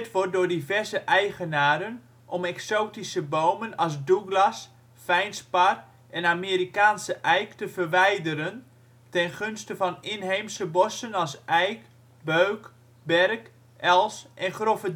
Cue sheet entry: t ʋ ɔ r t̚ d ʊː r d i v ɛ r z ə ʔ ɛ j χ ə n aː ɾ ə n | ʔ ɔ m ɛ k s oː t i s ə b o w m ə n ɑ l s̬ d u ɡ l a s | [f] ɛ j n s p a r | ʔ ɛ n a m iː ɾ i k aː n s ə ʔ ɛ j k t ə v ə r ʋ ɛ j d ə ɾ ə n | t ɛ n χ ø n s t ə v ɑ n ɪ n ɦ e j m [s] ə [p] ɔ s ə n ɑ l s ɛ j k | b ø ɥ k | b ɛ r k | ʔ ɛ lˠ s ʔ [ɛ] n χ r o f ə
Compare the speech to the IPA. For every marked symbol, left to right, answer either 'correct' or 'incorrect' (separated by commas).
correct, correct, incorrect, correct